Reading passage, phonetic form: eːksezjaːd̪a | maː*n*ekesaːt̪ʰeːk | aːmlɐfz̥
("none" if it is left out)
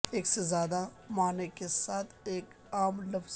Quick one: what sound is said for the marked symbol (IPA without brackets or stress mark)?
n